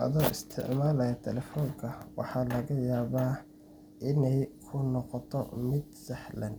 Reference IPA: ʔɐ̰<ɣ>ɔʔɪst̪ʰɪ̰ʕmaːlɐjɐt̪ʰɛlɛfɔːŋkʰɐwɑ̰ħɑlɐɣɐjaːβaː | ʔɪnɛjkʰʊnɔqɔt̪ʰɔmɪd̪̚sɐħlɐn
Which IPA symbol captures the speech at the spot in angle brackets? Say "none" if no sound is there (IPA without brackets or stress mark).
ð